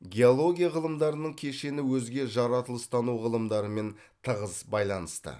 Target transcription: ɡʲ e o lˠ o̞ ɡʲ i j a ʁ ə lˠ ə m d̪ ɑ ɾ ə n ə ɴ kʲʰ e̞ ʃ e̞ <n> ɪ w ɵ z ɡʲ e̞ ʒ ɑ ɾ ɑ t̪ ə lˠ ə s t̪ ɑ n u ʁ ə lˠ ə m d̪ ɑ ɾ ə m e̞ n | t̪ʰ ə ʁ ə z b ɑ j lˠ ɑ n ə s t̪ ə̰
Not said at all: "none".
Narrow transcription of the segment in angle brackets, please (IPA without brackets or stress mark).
n